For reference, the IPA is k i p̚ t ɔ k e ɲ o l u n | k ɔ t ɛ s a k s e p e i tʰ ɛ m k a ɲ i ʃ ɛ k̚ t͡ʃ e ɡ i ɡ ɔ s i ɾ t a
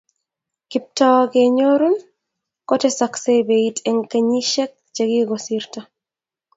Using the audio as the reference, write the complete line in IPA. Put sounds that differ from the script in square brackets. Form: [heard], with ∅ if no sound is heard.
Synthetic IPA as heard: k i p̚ t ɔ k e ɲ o [ɾ] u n | k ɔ t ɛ s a k s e [b] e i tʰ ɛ [ŋ] k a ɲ i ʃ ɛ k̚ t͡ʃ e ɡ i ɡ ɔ s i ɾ t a